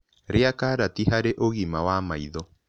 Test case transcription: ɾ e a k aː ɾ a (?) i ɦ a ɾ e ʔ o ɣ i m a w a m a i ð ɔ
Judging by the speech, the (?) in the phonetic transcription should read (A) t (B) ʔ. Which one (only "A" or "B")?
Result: A